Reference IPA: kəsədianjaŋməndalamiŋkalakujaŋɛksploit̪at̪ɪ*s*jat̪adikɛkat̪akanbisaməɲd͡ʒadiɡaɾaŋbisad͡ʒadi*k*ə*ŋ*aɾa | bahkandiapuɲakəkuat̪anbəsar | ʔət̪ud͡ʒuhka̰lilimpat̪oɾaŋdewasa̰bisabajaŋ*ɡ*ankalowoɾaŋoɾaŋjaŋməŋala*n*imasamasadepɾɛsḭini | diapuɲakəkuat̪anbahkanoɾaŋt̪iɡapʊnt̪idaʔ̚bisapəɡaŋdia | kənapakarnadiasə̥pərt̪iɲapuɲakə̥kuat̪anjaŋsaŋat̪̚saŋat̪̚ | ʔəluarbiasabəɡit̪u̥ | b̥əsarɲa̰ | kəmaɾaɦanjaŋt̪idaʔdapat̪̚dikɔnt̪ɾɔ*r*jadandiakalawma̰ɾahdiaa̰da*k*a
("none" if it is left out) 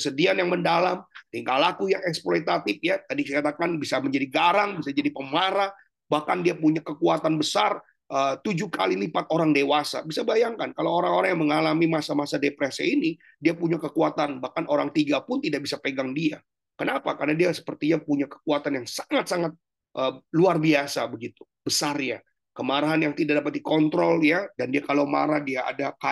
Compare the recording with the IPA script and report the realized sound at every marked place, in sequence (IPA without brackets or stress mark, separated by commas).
f, p, m, k, m, l, k